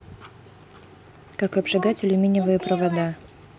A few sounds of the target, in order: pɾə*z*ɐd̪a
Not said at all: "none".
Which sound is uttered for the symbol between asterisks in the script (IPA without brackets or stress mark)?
v